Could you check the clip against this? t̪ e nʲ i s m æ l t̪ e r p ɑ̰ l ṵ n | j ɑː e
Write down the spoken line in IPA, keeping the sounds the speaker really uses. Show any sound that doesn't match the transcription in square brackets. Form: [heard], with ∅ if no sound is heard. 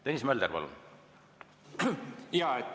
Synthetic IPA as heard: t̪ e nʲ i s m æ l [d̪] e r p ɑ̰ l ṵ n | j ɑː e